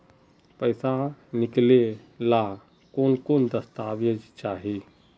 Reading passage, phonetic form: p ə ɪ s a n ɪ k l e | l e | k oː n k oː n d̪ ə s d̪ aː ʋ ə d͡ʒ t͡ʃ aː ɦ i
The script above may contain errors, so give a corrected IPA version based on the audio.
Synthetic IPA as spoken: p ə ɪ s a n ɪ k l e | l a | k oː n k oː n d̪ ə s t̪ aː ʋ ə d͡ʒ t͡ʃ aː ɦ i

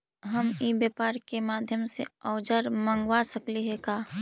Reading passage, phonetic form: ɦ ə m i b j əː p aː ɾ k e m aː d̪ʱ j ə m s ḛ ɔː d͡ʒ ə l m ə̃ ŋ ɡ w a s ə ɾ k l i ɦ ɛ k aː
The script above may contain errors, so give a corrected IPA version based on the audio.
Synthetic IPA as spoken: ɦ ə m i b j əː p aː ɾ k e m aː d̪ʱ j ə m s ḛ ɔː d͡ʒ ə ɾ m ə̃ ŋ ɡ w a s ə k l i ɦ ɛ k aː

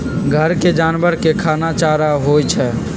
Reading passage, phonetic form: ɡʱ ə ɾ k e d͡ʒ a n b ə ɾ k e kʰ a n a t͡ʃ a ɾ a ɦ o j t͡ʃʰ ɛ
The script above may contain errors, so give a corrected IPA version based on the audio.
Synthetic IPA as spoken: ɡʱ ə ɾ k e d͡ʒ a n b ə ɾ k e kʰ a n a t͡ʃ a ɾ a ɦ o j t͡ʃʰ ɛ

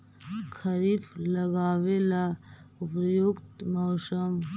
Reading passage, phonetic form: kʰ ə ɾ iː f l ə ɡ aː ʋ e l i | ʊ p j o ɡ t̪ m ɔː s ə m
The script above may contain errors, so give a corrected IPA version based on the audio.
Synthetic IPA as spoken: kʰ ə ɾ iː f l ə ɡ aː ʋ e l a | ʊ p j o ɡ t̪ m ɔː s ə m

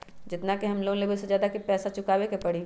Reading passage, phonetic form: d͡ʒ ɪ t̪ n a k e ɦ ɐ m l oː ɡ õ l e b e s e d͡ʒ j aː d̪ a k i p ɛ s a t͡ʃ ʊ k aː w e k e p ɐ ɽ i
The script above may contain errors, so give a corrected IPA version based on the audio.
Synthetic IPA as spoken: d͡ʒ ɪ t̪ n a k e ɦ ɐ m l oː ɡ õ l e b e s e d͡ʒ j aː d̪ a k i p ɛː s a t͡ʃ ʊ k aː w e k e p ɐ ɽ i

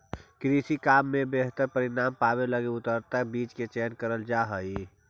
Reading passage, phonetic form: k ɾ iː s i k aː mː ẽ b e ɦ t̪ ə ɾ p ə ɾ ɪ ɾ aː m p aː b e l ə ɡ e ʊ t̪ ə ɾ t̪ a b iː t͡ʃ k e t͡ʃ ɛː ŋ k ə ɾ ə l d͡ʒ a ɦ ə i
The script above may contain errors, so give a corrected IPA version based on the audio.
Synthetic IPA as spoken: k ɾ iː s i k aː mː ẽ b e ɦ t̪ ə ɾ p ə ɾ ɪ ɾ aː m p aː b e l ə ɡ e ʊ t̪ ə ɾ t̪ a b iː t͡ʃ k e t͡ʃ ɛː n k ə ɾ ə l d͡ʒ a ɦ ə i

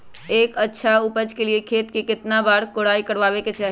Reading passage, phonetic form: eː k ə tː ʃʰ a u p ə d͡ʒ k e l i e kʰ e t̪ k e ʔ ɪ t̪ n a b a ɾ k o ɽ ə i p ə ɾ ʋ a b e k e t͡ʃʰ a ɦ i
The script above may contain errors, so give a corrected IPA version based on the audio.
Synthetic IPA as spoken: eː k ə tː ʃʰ a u p ə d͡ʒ k e l i e kʰ e t̪ k e k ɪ t̪ n a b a ɾ k o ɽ a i k ə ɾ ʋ a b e k e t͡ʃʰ a ɦ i

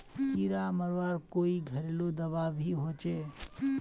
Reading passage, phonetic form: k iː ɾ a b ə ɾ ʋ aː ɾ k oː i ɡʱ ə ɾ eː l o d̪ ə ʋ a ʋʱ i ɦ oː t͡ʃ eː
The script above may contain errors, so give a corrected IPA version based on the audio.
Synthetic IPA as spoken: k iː ɾ a m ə ɾ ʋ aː ɾ k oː i ɡʱ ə ɾ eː l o d̪ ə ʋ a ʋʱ i ɦ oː t͡ʃ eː

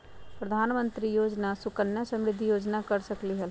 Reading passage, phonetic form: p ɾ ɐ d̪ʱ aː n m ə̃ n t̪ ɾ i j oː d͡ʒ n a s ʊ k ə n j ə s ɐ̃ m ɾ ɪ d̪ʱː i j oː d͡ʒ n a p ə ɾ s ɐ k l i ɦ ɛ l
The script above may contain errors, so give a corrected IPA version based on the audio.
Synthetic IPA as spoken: p ɾ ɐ d̪ʱ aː n m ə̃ n t̪ ɾ i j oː d͡ʒ n a s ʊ k ə n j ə s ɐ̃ m ɾ ɪ d̪ʱː i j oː d͡ʒ n a k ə ɾ s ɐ k l i ɦ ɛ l

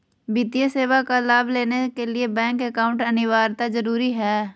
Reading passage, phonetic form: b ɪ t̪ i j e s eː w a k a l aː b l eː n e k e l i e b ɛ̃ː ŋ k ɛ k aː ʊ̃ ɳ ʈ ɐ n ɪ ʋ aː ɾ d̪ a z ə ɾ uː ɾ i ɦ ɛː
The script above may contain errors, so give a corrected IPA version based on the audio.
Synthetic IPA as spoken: b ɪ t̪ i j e s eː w a k a l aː b l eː n e k e l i e b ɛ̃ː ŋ k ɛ k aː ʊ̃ ɳ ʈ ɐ n ɪ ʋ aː ɾ t̪ a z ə ɾ uː ɾ i ɦ ɛː

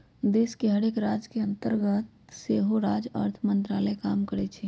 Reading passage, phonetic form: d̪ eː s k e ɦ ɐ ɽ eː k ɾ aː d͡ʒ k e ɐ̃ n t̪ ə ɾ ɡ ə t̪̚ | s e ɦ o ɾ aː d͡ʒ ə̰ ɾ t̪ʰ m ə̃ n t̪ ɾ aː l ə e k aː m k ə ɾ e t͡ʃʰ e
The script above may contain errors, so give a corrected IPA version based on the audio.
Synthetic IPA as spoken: d̪ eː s k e ɦ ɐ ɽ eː k ɾ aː d͡ʒ k e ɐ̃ n t̪ ə ɾ ɡ ə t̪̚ | s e ɦ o ɾ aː d͡ʒ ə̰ ɾ t̪ʰ m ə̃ n t̪ ɾ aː l ə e k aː m k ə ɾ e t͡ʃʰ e

